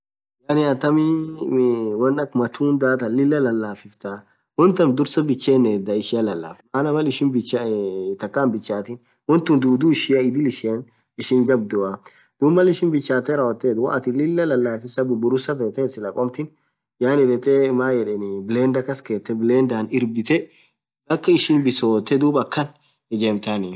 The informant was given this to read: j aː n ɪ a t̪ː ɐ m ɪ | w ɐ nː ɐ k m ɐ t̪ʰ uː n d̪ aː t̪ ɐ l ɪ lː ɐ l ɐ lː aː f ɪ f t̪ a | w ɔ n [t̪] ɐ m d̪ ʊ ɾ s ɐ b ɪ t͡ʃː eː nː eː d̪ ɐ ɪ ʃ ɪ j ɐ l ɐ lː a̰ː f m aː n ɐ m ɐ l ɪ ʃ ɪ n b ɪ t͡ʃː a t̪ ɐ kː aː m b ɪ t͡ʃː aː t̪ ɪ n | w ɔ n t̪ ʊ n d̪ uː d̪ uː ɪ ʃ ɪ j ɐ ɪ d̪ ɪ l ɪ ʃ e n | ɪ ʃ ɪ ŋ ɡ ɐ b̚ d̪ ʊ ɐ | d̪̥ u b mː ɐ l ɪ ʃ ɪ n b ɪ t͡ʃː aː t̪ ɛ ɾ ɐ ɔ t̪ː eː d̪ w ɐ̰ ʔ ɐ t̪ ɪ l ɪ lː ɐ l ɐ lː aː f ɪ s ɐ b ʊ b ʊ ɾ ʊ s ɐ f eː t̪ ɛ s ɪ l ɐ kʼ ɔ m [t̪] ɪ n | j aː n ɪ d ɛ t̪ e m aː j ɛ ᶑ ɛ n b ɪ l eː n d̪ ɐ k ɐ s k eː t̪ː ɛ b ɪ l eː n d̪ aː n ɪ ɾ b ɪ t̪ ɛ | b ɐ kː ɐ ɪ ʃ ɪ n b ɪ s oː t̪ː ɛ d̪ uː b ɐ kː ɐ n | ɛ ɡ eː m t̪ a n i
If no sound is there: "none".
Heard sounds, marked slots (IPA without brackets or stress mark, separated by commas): t̪, t̪